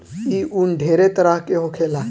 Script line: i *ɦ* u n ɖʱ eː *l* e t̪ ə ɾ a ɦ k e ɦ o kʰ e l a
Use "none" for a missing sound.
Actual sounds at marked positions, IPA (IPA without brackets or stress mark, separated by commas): none, ɾ